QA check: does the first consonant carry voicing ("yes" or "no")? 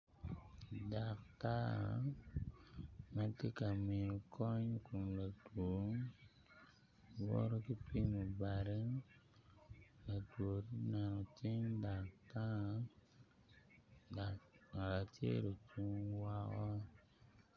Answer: yes